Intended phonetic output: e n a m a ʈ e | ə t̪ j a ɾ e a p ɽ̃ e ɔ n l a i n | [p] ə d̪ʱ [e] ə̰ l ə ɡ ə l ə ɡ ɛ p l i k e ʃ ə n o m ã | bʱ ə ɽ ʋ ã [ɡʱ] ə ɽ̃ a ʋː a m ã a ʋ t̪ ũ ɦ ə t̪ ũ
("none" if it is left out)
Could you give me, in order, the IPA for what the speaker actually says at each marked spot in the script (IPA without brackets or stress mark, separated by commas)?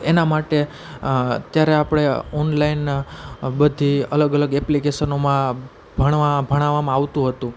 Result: b, i, bʱ